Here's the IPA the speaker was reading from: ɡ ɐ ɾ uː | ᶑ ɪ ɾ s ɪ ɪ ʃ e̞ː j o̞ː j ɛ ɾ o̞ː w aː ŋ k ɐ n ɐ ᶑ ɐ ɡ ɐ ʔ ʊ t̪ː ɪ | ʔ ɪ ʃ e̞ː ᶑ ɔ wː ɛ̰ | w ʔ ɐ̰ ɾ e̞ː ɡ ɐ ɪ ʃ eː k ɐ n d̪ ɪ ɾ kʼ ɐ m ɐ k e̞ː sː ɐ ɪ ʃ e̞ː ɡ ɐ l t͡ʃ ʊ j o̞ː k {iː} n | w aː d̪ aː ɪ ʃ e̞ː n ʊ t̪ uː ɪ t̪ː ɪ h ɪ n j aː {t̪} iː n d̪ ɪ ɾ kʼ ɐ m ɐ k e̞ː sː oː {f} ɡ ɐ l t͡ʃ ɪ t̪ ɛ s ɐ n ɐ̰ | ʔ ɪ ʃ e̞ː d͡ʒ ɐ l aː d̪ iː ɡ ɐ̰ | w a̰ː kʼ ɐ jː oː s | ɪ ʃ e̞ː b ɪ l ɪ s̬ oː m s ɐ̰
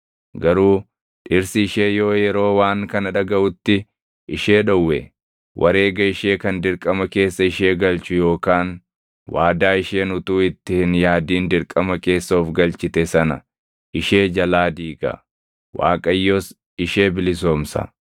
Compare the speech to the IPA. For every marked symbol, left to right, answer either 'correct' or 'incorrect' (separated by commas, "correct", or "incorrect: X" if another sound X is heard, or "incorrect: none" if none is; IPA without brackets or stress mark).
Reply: incorrect: aː, incorrect: d̪, correct